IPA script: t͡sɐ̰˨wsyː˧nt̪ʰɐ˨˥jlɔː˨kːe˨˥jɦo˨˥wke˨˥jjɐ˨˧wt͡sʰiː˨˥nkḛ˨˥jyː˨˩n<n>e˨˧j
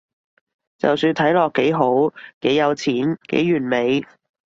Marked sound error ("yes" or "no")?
yes